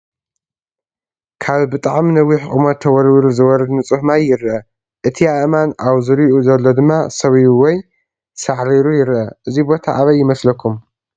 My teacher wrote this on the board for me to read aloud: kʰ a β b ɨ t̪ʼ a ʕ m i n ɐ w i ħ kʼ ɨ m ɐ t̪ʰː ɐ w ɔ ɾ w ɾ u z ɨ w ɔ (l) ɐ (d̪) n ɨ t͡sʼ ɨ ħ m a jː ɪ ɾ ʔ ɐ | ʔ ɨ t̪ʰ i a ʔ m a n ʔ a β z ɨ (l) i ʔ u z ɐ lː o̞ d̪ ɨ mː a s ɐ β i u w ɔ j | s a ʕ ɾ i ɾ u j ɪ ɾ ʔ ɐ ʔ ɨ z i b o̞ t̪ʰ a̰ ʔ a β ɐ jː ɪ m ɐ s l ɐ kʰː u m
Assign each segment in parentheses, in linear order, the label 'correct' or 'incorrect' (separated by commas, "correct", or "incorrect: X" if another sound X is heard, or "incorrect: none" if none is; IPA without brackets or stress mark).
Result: incorrect: ɾ, correct, incorrect: ɾ